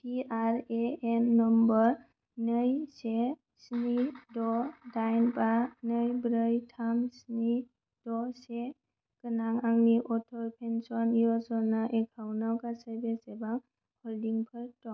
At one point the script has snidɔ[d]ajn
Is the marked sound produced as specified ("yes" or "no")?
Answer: yes